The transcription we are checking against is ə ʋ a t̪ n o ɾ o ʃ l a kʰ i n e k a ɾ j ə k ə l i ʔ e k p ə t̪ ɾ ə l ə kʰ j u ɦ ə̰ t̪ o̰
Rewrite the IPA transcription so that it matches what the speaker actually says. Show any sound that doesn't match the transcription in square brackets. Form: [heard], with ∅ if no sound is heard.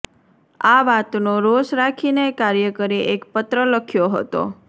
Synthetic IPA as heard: [a] ʋ a t̪ n o ɾ o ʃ [ɾ] a kʰ i n e k a ɾ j ə k ə [ɾ] i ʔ e k p ə t̪ ɾ ə l ə kʰ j [o] ɦ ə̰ t̪ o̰